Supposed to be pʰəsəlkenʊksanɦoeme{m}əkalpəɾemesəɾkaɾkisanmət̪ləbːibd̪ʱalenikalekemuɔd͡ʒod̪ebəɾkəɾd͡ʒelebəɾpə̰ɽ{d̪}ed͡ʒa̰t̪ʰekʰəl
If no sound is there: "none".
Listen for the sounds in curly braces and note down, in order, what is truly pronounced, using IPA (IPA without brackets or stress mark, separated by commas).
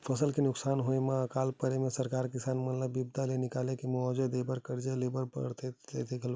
none, t̪